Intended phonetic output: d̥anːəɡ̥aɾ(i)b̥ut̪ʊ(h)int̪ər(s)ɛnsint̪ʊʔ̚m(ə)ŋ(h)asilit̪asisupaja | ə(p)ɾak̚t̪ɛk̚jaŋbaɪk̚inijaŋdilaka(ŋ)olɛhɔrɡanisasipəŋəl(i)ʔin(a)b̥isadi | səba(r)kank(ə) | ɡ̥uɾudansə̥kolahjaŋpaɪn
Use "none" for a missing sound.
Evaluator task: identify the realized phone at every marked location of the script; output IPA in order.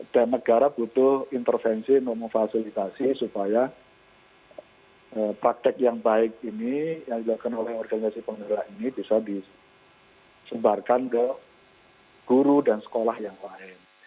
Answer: a, h, f, ə, f, p, n, a, i, r, ə

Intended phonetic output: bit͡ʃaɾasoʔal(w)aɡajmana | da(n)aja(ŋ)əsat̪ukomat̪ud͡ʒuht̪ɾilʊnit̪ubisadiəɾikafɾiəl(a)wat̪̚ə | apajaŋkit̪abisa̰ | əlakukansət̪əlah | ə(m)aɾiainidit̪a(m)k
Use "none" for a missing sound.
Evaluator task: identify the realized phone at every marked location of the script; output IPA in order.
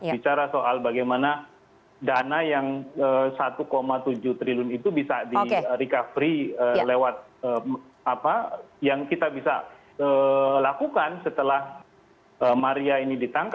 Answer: b, n, ŋ, e, m, ŋ

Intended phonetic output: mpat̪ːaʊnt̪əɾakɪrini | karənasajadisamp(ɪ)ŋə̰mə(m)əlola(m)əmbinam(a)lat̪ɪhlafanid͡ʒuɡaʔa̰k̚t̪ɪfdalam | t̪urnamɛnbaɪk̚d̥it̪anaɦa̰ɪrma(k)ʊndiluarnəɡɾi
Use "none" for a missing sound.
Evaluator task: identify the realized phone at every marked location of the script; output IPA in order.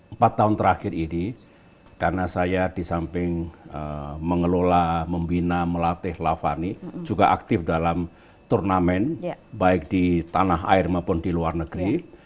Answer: ɪ, ŋ, m, ə, p

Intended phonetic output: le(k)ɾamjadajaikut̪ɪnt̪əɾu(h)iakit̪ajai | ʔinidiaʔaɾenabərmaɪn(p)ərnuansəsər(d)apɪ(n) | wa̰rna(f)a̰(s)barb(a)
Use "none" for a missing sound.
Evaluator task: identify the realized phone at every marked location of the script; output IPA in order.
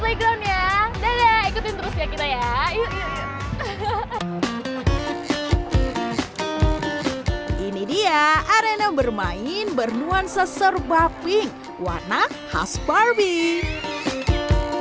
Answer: ɡ, s, b, b, ŋ, h, s, i

